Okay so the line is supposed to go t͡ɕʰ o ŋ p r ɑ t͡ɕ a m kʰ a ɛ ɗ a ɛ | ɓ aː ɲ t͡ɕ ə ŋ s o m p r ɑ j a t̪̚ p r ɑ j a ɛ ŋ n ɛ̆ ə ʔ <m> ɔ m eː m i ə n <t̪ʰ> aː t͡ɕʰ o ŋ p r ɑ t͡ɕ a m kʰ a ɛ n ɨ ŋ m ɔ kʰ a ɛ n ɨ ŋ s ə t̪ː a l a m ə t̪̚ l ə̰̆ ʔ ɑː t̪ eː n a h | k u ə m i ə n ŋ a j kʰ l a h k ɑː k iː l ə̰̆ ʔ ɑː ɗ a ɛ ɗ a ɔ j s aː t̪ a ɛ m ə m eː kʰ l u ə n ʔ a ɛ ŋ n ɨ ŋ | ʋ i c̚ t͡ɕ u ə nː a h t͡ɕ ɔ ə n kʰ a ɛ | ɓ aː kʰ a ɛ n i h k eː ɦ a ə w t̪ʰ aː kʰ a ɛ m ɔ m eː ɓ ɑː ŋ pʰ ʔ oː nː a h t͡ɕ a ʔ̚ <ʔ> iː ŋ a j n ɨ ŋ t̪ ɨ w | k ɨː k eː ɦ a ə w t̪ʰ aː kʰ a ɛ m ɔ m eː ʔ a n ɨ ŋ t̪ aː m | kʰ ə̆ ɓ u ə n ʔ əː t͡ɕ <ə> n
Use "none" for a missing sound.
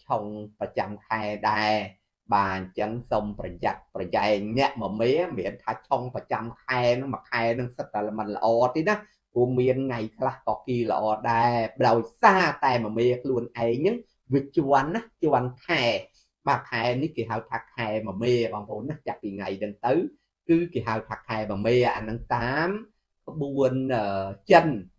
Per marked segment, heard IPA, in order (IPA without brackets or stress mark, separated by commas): m, t̪ʰ, p, ə